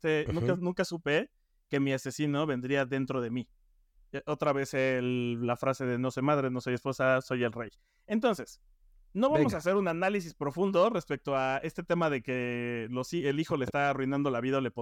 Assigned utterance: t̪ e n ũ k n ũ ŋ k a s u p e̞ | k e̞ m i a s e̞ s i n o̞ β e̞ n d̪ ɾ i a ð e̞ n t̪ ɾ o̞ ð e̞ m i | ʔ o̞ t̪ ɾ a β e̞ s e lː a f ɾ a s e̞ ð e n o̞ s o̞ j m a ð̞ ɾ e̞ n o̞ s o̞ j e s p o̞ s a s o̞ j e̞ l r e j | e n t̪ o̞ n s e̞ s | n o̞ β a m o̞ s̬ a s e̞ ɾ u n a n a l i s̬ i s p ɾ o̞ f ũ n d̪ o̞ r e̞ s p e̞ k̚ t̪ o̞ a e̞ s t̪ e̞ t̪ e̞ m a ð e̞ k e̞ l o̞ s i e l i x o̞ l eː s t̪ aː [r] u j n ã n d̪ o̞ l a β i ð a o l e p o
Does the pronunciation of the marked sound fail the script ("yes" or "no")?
no